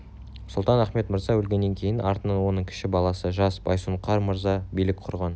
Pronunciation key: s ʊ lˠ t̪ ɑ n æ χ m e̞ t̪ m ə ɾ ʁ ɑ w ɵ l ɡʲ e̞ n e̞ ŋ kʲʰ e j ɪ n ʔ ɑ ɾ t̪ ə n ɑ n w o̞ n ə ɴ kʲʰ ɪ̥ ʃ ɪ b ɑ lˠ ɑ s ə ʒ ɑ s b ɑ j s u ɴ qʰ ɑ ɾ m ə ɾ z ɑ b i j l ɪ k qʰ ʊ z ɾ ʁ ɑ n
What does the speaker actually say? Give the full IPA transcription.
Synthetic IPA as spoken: s ʊ lˠ t̪ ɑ n æ χ m e̞ t̪ m ə ɾ z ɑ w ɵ l ɡʲ e̞ nː e̞ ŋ kʲʰ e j ɪ n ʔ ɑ ɾ t̪ ə n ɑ n w o̞ n ə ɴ kʲʰ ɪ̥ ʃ ɪ b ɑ lˠ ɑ s ə ʒ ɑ s b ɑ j s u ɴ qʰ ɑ ɾ m ə ɾ z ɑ b i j l ɪ k qʰ ʊ ɾ ʁ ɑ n